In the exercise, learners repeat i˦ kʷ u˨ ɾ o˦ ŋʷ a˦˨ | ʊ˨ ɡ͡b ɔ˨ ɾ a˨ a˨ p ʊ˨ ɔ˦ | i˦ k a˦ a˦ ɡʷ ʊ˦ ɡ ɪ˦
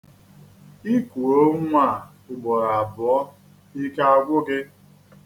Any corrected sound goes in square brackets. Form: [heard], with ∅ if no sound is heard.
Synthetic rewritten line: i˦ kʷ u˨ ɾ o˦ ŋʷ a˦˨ | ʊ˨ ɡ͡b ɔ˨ ɾ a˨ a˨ [b] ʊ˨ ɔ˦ | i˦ k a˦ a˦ ɡʷ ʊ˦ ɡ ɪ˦

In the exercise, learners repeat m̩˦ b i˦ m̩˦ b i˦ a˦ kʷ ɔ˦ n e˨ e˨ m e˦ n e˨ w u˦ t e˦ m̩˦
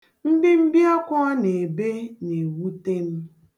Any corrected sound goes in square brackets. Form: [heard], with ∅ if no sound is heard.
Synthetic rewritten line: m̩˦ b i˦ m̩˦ b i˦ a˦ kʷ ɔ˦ n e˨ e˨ [b] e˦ n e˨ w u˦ t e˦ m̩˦

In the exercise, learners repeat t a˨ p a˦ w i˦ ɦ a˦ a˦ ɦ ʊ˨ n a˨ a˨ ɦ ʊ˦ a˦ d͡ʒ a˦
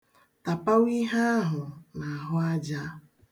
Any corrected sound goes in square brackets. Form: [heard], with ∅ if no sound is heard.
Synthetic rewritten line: t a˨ p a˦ w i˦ ɦ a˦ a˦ ɦ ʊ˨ n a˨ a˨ ɦ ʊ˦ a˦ d͡ʒ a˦

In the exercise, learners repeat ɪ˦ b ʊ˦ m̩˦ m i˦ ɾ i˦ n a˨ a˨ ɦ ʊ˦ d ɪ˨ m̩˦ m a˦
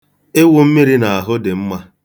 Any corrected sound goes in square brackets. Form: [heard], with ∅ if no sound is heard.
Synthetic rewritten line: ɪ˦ [w] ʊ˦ m̩˦ m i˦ ɾ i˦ n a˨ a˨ ɦ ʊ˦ d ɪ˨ m̩˦ m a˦

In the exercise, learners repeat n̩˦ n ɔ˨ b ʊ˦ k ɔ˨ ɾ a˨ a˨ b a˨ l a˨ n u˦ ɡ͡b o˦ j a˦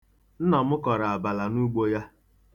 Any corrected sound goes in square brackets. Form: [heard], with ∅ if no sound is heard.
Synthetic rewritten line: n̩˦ n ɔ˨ [m] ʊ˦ k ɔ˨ ɾ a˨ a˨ b a˨ l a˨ n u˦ ɡ͡b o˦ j a˦

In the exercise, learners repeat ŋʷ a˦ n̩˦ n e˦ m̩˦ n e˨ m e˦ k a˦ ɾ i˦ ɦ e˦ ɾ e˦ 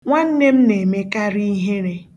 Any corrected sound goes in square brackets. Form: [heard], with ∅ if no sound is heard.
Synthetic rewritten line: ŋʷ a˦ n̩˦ n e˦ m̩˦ n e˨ m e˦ k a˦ ɾ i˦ ɦ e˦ ɾ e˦

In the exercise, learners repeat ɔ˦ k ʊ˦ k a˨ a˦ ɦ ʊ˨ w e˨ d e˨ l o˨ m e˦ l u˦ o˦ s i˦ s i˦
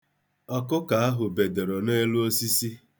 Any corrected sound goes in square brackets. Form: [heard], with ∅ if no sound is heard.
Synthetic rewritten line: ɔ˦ k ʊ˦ k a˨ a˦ ɦ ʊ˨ [b] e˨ d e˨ [ɾ] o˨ [n] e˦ l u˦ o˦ s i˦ s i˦

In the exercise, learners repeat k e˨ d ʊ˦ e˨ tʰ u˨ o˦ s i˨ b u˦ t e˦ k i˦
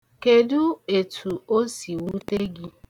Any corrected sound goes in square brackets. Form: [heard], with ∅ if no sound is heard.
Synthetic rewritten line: k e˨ d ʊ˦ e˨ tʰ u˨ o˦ s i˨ [w] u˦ t e˦ [ɡ] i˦

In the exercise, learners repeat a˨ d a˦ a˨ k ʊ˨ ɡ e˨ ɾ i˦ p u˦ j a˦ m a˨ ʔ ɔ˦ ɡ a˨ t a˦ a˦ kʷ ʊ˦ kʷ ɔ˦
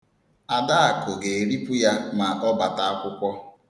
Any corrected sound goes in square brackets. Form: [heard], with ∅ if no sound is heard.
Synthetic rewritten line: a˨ d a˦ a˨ k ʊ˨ ɡ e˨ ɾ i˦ p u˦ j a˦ m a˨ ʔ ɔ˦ [b] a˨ t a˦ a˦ kʷ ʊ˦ kʷ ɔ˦

